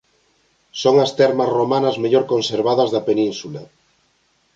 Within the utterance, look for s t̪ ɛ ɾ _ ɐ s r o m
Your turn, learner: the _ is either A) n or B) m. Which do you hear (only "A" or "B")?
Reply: B